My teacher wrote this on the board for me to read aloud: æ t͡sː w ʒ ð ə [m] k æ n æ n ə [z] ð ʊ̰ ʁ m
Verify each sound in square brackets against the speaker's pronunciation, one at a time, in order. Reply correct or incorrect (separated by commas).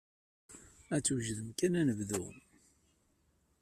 correct, incorrect